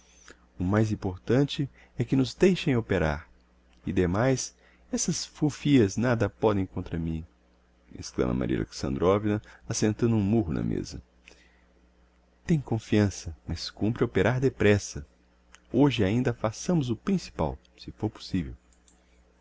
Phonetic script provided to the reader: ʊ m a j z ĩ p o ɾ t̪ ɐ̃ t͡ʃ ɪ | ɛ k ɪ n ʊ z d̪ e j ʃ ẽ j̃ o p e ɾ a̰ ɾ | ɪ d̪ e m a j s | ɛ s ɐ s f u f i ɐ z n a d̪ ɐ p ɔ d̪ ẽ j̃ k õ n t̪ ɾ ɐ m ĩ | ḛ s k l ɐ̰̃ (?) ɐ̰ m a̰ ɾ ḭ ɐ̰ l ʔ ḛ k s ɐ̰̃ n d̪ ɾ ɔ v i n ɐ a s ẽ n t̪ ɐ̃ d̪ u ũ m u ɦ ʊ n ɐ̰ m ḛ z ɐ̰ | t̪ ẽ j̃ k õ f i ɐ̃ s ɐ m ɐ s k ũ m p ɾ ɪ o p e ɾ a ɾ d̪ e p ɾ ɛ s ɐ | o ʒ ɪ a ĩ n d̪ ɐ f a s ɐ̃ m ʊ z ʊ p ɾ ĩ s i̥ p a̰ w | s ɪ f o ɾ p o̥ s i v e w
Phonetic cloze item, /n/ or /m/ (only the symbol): m